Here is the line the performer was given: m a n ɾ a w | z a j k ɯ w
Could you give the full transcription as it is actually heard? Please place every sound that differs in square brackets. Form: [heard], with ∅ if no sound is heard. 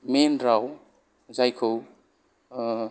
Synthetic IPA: m [e] n ɾ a w | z a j [kʰ] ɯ w